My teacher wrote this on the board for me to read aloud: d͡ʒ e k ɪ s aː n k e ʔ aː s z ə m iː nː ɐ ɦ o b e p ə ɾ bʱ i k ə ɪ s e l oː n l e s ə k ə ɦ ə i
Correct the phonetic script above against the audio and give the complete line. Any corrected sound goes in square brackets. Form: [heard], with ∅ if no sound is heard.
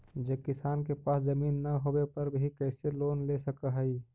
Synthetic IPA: d͡ʒ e k ɪ s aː n k e [p] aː s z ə m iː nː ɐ ɦ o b e p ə ɾ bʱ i k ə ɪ s e l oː n l e s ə k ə ɦ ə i